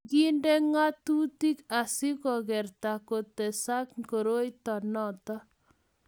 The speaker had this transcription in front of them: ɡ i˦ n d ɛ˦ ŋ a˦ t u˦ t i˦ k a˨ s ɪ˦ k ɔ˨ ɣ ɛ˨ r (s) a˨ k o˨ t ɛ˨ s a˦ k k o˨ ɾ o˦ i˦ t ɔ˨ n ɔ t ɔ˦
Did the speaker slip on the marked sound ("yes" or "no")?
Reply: yes